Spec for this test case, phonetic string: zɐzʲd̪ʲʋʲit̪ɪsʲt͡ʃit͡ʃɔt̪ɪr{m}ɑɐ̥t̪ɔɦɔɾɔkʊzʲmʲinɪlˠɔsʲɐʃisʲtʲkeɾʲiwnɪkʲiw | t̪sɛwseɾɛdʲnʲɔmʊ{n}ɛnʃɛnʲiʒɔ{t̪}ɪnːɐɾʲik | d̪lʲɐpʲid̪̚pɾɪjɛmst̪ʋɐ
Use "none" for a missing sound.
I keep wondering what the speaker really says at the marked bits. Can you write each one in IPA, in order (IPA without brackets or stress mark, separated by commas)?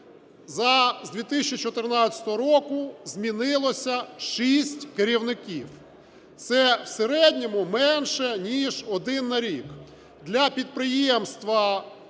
n, m, d̪